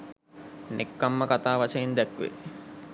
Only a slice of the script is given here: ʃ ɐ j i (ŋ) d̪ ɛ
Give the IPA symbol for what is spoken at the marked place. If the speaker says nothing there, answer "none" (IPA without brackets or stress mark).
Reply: n